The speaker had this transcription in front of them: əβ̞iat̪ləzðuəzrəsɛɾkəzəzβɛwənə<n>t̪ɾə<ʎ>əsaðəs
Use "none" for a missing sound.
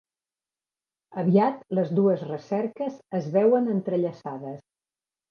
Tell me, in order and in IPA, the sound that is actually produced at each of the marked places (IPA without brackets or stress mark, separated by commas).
n, ʎ